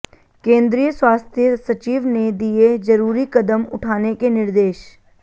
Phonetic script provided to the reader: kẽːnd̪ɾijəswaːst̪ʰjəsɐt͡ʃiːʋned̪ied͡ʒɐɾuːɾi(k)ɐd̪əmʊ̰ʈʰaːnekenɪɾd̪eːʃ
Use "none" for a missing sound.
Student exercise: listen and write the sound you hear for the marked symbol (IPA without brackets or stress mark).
k